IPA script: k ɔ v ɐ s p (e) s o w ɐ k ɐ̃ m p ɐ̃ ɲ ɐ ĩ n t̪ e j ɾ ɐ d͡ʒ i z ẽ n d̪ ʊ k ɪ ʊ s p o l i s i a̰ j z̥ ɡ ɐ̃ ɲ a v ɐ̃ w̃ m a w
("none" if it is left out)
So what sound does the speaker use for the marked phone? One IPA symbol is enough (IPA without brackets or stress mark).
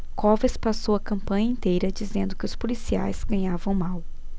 a